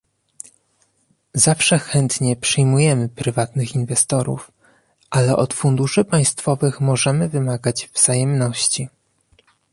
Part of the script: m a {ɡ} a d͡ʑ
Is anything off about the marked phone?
no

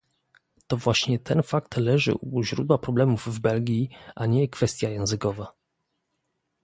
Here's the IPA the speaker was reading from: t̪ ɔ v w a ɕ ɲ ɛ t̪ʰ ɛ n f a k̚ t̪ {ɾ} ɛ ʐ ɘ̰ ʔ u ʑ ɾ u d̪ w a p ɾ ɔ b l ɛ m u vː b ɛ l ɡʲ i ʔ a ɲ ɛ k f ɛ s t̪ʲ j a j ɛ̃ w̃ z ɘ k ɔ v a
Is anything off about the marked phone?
yes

